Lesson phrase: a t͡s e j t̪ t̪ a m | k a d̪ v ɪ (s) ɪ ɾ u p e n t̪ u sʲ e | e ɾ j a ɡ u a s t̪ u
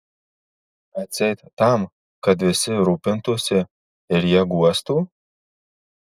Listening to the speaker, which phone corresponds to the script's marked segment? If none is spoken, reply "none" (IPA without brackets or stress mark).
s